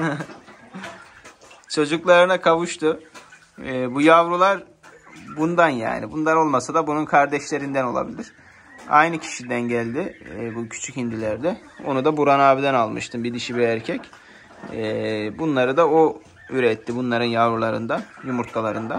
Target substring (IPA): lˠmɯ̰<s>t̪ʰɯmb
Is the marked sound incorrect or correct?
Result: incorrect